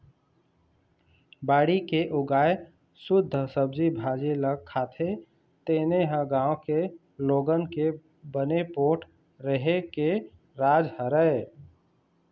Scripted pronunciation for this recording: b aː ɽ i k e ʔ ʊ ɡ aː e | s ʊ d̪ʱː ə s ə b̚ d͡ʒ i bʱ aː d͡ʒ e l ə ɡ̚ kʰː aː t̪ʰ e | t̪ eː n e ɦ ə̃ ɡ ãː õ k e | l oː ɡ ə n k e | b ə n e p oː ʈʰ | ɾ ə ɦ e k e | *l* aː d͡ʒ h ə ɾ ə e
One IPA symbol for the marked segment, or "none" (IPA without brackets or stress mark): ɾ